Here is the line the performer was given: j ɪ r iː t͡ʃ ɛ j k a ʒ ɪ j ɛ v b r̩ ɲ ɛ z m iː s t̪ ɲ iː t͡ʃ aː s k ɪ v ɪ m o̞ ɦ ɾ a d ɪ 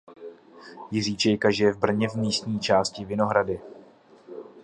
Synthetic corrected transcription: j ɪ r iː t͡ʃ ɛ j k a ʒ ɪ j ɛ v b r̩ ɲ ɛ v m iː s t̪ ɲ iː t͡ʃ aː s c ɪ v ɪ n o̞ ɦ ɾ a d ɪ

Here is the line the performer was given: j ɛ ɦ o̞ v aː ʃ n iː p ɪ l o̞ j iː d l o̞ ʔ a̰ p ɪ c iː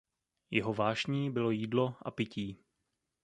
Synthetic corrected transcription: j ɛ ɦ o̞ v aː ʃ ɲ iː b ɪ l o̞ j iː d l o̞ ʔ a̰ p ɪ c iː

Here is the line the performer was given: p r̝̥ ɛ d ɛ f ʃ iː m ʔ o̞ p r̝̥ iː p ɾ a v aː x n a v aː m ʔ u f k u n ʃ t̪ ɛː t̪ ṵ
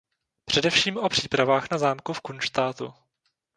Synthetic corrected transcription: p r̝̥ ɛ d ɛ f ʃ iː m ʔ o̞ p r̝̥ iː p ɾ a v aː x n a z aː m k u f k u n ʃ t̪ aː t̪ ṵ

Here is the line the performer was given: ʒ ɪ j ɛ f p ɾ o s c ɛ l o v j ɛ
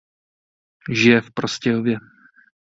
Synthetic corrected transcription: ʒ ɪ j ɛ f p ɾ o s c ɛ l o v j ɛ

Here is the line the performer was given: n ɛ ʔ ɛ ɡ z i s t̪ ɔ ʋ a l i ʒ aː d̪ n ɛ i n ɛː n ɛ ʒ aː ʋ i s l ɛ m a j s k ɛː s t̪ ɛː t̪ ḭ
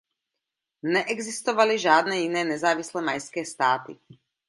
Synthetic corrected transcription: n ɛ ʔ ɛ ɡ z i s t̪ ɔ ʋ a l i ʒ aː d̪ n ɛ i n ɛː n ɛ z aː ʋ i s l ɛ m a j s k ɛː s t̪ aː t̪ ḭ

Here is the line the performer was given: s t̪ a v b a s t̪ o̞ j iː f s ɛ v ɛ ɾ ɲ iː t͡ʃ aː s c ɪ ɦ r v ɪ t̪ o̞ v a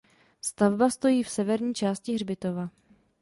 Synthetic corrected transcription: s t̪ a v b a s t̪ o̞ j iː f s ɛ v ɛ ɾ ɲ iː t͡ʃ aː s c ɪ ɦ r b ɪ t̪ o̞ v a

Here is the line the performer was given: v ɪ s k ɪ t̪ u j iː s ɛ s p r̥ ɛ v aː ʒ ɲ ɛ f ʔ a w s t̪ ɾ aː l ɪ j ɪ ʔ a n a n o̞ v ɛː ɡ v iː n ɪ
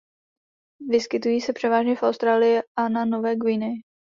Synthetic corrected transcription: v ɪ s k ɪ t̪ u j iː s ɛ p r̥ ɛ v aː ʒ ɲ ɛ f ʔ a w s t̪ ɾ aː l ɪ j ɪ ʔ a n a n o̞ v ɛː ɡ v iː n ɪ

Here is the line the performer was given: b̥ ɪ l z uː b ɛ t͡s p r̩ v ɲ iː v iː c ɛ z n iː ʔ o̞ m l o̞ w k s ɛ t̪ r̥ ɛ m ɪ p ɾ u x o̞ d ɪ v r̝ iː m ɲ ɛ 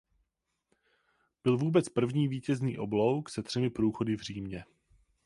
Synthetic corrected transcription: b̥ ɪ l v uː b ɛ t͡s p r̩ v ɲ iː v iː c ɛ z n iː ʔ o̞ b l o̞ w k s ɛ t̪ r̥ ɛ m ɪ p ɾ uː x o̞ d ɪ v r̝ iː m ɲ ɛ

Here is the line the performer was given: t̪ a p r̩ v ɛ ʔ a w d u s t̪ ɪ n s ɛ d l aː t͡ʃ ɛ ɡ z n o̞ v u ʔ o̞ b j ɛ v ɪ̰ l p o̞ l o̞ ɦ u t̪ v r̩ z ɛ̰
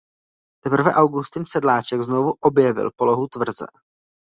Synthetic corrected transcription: t̪ ɛ p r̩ v ɛ ʔ a w ɡ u s t̪ ɪ n s ɛ d l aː t͡ʃ ɛ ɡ z n o̞ v u ʔ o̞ b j ɛ v ɪ̰ l p o̞ l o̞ ɦ u t̪ v r̩ z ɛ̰

